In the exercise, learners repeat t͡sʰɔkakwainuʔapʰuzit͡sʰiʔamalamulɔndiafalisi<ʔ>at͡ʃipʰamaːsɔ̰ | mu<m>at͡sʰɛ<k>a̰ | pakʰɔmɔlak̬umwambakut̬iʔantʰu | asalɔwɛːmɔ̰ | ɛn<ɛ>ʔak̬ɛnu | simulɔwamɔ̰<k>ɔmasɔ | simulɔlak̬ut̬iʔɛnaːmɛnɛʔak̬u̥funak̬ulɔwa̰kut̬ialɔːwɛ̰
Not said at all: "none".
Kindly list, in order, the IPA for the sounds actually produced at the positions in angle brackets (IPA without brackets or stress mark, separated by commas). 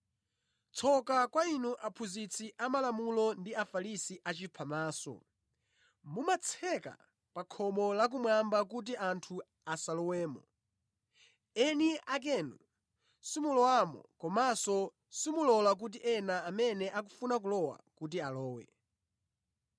ʔ, m, k, i, k